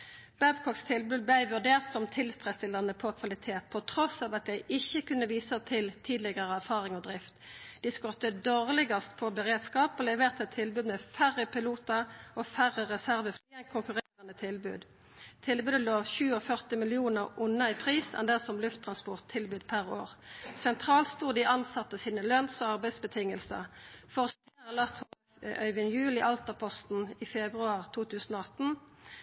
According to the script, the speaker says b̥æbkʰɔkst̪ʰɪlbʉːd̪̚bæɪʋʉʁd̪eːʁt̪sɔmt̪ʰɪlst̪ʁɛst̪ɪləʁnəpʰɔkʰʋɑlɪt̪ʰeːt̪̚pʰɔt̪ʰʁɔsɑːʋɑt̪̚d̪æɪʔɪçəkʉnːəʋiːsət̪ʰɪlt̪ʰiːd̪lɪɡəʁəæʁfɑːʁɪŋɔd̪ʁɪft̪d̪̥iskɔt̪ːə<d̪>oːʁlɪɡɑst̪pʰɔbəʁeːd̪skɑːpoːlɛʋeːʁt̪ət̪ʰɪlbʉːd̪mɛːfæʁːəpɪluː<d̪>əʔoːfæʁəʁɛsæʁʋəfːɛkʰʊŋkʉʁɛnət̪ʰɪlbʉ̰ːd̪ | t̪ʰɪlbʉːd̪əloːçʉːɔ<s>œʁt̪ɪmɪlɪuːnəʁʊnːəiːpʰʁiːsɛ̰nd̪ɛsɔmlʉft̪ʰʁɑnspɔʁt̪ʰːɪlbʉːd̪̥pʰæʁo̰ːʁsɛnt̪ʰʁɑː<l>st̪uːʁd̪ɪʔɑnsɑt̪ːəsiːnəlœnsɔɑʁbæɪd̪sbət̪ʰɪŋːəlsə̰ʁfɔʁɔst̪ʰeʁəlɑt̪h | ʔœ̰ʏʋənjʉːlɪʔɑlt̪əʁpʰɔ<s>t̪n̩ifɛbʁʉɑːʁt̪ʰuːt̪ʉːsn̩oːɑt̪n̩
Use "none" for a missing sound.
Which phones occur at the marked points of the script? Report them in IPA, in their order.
d̪, t̪, f, l, s

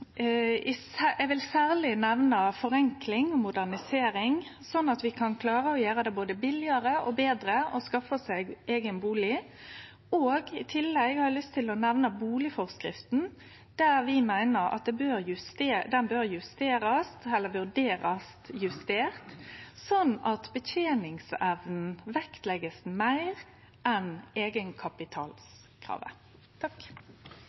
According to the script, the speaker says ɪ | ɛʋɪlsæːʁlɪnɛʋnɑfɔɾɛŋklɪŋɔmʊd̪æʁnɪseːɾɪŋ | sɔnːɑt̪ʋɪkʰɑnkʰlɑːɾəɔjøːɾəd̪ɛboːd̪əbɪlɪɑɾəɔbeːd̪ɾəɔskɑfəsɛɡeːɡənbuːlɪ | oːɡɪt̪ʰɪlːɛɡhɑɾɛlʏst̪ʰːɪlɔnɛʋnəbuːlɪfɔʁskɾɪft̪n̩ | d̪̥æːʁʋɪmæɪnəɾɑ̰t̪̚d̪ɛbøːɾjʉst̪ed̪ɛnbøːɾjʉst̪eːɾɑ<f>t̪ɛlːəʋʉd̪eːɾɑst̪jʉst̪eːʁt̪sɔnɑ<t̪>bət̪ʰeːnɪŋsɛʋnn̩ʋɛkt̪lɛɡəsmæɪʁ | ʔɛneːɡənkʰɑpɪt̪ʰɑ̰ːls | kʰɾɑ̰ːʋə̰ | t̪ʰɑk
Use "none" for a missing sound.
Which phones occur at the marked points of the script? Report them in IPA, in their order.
s, t̪

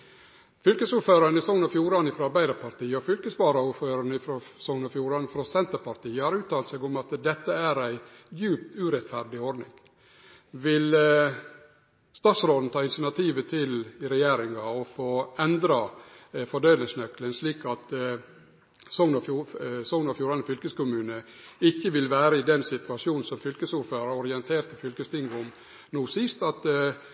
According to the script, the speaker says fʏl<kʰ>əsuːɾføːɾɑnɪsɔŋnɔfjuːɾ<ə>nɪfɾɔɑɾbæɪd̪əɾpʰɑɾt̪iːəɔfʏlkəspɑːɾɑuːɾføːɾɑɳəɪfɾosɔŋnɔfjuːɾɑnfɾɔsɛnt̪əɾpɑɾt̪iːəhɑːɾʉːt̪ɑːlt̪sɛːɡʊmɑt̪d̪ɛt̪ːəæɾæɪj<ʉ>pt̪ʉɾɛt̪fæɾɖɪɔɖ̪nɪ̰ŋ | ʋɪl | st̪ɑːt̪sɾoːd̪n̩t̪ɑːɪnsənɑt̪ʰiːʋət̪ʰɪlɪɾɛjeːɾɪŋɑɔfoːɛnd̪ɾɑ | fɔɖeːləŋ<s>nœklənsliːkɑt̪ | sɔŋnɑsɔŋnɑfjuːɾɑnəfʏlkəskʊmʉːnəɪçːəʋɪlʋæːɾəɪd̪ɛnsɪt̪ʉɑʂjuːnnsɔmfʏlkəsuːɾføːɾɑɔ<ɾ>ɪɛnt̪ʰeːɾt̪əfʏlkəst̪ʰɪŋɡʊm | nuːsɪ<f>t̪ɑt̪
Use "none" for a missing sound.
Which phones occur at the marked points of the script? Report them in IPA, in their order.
k, ɑ, ʉː, s, ɾ, s

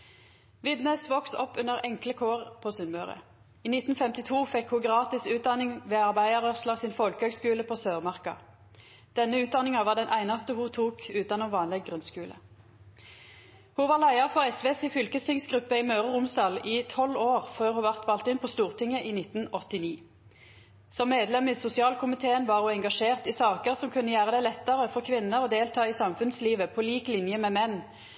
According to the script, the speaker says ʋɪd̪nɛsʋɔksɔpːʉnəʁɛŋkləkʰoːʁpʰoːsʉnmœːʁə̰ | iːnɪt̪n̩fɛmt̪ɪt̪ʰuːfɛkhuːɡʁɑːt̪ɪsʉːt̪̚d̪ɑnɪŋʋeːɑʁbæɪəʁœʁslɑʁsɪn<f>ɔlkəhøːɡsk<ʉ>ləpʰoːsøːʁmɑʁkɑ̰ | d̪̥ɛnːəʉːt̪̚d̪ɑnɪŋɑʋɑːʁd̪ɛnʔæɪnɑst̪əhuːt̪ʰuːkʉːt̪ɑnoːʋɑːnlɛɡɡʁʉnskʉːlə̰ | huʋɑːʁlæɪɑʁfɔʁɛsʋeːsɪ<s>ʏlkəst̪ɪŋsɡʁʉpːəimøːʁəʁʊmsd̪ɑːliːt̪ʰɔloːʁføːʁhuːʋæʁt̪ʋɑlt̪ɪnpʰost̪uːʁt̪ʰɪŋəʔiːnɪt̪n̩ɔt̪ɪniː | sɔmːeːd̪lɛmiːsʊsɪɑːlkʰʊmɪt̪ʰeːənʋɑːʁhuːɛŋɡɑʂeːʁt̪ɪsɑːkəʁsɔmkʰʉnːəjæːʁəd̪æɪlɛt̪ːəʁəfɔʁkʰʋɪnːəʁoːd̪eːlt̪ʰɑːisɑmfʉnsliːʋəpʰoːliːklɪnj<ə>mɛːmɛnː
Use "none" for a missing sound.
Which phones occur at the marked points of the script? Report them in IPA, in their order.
f, ʉː, f, ə

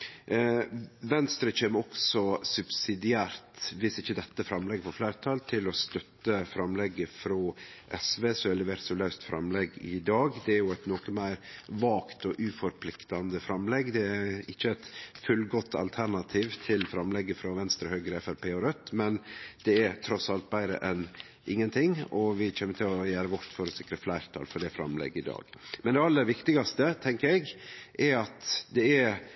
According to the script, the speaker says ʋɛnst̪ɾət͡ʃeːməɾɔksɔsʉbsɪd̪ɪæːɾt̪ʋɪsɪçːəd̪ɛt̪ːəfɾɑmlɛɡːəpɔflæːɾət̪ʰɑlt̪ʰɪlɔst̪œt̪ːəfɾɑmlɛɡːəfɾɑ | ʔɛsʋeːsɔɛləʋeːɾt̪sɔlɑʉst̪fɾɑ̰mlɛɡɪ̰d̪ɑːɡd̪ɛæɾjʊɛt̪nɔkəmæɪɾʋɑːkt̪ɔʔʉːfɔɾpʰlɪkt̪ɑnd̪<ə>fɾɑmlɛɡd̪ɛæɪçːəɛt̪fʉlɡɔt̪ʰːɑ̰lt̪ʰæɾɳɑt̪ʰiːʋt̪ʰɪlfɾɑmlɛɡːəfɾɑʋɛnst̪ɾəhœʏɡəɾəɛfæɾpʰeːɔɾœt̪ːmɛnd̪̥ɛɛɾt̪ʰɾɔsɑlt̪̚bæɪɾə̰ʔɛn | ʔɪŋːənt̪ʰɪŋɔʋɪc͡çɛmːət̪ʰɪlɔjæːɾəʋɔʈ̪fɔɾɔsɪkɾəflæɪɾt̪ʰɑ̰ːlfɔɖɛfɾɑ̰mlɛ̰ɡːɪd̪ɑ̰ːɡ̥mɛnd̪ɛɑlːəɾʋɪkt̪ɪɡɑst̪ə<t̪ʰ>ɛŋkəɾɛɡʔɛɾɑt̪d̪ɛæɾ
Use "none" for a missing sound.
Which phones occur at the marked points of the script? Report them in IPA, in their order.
ə, t̪ʰ

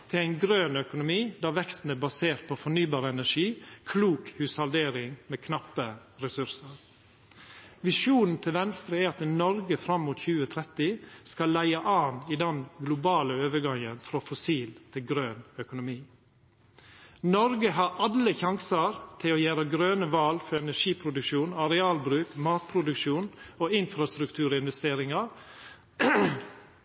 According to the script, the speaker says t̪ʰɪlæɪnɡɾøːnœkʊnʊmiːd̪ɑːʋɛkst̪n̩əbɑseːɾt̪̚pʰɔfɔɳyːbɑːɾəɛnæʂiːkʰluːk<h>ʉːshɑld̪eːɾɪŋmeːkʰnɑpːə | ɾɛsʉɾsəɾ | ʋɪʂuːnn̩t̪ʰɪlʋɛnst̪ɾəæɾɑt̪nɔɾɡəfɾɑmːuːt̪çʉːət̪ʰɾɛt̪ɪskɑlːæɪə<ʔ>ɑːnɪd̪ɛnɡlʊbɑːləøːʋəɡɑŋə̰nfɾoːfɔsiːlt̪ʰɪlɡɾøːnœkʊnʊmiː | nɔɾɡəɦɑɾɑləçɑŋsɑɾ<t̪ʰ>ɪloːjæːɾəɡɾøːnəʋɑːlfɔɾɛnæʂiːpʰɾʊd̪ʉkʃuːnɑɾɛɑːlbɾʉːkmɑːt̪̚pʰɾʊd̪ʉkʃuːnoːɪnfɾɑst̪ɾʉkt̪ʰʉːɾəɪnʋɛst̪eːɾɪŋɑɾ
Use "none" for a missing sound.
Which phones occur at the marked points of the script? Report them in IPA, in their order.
h, ʔ, t̪ʰ

